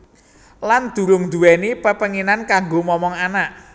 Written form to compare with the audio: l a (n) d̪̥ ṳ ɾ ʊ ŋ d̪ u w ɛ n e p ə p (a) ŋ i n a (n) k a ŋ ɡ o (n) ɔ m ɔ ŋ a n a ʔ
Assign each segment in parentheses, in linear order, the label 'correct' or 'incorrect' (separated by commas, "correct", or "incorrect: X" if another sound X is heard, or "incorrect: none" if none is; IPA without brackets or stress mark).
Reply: correct, incorrect: ə, correct, incorrect: m